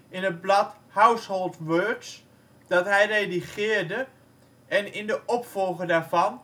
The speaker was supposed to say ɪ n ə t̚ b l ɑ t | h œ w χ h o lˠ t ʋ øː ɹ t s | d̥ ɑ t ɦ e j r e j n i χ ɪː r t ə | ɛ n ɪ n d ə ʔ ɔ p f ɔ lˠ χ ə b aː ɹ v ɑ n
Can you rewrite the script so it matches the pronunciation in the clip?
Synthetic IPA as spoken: ɪ n ə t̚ b l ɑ t | h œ w s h o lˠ t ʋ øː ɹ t s | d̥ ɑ t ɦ ɛ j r e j d i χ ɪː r d ə | ɛ n ɪ n d ə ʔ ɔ p f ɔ lˠ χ ə d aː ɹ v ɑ n